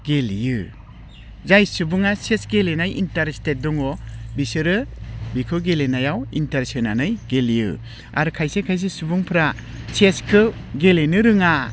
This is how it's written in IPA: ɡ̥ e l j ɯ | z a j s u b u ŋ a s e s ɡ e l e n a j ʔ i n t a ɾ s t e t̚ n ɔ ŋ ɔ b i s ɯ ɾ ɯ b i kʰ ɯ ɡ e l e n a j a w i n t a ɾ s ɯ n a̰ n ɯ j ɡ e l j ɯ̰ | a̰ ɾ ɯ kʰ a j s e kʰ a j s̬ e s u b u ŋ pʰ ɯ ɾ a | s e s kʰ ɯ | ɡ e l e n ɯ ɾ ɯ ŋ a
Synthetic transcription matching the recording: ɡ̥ e l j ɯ | z a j s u b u ŋ a s e s ɡ e l e n a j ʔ i n t a ɾ s t e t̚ d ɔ ŋ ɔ b i s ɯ ɾ ɯ b i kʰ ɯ ɡ e l e n a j a w i n t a ɾ s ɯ n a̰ n ɯ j ɡ e l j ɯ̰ | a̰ ɾ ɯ kʰ a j s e kʰ a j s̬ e s u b u ŋ pʰ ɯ ɾ a | s e s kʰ ɯ | ɡ e l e n ɯ ɾ ɯ ŋ a